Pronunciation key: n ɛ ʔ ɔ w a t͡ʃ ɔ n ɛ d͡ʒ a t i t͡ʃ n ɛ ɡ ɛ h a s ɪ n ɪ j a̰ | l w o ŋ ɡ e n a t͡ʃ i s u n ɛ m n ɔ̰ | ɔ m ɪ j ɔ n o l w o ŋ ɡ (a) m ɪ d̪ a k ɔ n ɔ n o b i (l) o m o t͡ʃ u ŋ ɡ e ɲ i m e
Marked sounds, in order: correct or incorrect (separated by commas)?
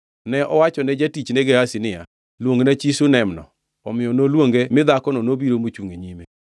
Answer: incorrect, incorrect